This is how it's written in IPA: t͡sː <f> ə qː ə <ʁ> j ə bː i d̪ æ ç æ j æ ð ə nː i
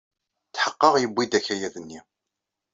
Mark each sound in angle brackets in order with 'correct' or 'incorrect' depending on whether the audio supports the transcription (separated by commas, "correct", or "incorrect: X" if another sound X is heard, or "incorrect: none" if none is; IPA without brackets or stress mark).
incorrect: ħ, correct